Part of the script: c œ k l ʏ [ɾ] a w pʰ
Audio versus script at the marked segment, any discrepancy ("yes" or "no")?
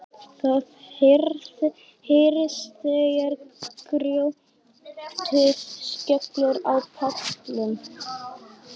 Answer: no